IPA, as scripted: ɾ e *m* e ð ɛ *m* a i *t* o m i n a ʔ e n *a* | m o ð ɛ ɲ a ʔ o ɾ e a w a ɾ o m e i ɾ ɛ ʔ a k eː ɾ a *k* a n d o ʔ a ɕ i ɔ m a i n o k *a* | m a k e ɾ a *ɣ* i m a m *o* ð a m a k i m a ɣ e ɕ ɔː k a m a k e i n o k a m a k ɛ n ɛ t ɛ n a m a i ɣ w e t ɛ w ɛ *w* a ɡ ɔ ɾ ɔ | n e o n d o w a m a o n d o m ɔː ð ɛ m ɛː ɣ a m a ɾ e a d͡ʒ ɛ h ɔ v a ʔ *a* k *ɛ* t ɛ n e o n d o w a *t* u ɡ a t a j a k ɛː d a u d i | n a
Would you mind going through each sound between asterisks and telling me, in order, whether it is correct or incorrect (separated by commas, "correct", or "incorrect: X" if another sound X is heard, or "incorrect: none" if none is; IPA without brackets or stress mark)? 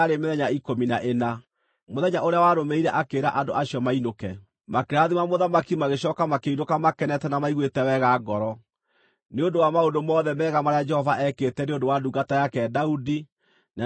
correct, incorrect: ɲ, incorrect: k, correct, incorrect: ʔ, incorrect: ɛ, incorrect: ð, correct, incorrect: ɣ, incorrect: ɛ, incorrect: e, incorrect: d